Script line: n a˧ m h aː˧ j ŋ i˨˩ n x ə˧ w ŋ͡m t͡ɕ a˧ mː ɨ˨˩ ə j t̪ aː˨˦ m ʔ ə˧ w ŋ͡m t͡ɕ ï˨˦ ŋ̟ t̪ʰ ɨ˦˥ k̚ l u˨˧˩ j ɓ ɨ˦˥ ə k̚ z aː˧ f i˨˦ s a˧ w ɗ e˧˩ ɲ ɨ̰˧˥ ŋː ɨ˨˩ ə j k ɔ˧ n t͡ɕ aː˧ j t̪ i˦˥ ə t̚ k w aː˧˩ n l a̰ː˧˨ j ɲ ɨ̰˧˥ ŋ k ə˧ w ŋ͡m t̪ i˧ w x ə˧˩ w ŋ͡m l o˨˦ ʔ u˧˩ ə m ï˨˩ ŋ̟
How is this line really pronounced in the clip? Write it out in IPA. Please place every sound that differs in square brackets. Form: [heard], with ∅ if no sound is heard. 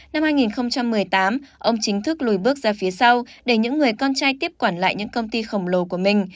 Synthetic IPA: n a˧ m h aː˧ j ŋ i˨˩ n x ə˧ w ŋ͡m t͡ɕ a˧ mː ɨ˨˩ ə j t̪ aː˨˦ m ʔ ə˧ w ŋ͡m t͡ɕ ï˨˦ ŋ̟ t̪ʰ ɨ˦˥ k̚ l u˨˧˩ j ɓ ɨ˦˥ ə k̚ z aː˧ f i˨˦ s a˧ w ɗ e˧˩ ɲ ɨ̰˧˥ ŋː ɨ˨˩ ə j k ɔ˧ n t͡ɕ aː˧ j t̪ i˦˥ ə [p̚] k w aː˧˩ n l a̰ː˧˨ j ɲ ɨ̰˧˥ ŋ k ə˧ w ŋ͡m t̪ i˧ [∅] x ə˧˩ w ŋ͡m l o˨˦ [k] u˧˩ ə m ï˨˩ ŋ̟